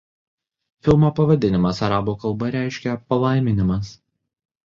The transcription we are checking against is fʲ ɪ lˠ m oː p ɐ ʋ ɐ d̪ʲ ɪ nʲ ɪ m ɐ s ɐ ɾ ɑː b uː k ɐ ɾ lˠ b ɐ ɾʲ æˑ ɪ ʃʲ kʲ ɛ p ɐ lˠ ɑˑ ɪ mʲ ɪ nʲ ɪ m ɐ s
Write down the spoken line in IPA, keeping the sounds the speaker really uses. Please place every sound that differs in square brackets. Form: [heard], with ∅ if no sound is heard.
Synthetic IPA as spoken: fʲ ɪ lˠ m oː p ɐ ʋ ɐ d̪ʲ ɪ nʲ ɪ m ɐ s ɐ ɾ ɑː b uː k ɐ [∅] lˠ b ɐ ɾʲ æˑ ɪ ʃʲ kʲ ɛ p ɐ lˠ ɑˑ ɪ mʲ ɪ nʲ ɪ m ɐ s